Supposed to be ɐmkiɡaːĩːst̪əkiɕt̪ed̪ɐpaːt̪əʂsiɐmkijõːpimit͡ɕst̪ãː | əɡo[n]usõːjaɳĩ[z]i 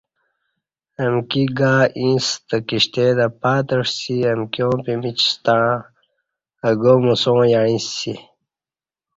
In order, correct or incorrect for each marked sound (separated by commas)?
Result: incorrect, incorrect